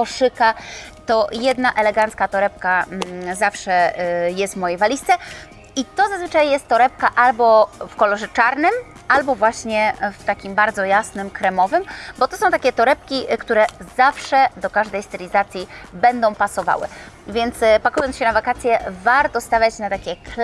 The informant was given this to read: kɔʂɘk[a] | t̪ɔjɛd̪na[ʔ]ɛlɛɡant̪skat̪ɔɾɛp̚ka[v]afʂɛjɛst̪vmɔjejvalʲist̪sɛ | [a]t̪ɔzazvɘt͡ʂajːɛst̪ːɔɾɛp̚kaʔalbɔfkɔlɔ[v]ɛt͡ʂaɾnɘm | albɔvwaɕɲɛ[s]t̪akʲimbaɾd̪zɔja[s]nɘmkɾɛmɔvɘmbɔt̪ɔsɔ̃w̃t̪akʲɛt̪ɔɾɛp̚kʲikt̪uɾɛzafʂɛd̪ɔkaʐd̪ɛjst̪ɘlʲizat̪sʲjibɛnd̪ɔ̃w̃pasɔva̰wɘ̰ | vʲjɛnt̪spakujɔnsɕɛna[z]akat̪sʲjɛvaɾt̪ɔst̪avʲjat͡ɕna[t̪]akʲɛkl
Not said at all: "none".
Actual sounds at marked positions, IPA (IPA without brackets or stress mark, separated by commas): a, ʔ, z, i, ʐ, f, s, v, t̪